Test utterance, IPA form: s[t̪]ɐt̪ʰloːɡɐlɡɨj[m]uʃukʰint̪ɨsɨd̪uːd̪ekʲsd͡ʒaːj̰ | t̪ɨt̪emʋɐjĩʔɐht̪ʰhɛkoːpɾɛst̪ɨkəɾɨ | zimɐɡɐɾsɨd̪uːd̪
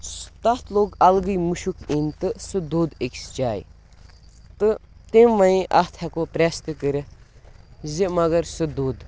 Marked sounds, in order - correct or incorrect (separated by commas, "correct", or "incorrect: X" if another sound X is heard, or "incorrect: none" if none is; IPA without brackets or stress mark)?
correct, correct